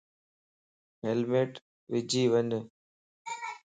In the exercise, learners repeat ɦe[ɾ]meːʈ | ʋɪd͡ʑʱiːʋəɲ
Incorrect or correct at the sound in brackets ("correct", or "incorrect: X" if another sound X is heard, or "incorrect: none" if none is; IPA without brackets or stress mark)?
incorrect: l